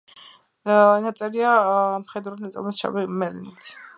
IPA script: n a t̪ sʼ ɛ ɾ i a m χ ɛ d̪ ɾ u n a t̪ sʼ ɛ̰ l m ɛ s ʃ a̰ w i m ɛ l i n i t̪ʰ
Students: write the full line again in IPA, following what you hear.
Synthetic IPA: n a t̪ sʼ ɛ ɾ i a m χ ɛ d̪ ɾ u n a t̪ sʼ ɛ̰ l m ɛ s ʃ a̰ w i m ɛ l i n i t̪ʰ